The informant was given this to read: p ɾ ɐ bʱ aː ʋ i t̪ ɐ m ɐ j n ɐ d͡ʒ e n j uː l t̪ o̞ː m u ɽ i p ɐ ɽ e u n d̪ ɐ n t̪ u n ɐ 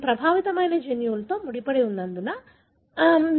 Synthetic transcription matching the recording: p ɾ ɐ bʱ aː ʋ i t̪ ɐ m ɐ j n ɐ d͡ʒ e n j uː l t̪ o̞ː m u ɽ i p ɐ ɽ e u n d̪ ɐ n d̪ u n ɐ